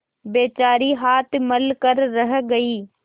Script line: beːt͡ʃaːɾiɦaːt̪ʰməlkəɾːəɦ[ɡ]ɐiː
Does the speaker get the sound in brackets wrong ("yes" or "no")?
no